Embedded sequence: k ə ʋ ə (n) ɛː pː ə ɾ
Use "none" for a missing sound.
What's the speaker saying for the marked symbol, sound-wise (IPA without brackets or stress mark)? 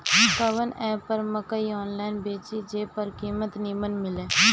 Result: n